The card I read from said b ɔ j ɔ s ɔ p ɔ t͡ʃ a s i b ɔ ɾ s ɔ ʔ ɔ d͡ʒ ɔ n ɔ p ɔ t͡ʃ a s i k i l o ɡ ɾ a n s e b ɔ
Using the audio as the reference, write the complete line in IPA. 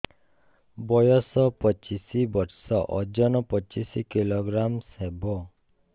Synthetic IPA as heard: b ɔ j ɔ s ɔ p ɔ t͡ʃ i s i b ɔ ɾ s ɔ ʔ ɔ d͡ʒ ɔ n ɔ p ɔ t͡ʃ i s i k i l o ɡ ɾ a m s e b ɔ